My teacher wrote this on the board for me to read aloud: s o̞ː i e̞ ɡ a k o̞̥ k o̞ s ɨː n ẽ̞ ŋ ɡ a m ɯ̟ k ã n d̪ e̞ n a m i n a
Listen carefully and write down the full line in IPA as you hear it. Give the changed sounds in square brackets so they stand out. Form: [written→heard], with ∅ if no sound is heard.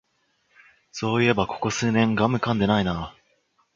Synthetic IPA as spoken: s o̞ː i e̞ [ɡ→b] a k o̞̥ k o̞ s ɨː n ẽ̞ ŋ ɡ a m ɯ̟ k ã n d̪ e̞ n a [m→∅] i n a